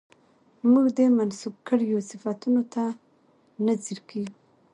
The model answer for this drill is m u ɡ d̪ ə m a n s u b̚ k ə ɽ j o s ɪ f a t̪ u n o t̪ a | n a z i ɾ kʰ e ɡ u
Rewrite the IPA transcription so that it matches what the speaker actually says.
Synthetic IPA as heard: m u ɡ d̪ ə m a n s u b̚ k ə ɽ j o s ɪ f a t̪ u n o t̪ a | n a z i ɾ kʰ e ɡ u